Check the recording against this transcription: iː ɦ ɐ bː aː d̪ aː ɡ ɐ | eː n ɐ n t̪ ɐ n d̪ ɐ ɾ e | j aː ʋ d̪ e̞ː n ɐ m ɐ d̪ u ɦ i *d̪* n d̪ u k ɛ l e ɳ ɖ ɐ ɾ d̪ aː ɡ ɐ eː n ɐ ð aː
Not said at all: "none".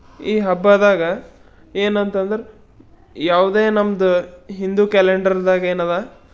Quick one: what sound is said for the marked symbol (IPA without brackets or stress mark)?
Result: none